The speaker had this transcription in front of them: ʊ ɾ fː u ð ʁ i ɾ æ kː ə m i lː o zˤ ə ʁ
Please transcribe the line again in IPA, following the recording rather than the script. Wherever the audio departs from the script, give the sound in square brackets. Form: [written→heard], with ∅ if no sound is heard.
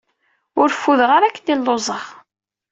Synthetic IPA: ʊ ɾ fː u ð ʁ [i→a] ɾ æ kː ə [m→n] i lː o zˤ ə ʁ